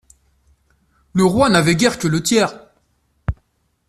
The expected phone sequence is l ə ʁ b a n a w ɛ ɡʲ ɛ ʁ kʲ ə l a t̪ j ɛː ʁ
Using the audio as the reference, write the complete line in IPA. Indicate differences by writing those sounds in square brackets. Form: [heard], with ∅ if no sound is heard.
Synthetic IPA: l ə ʁ [w] a n a [v] ɛ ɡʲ ɛ ʁ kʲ ə l [ə] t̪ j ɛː ʁ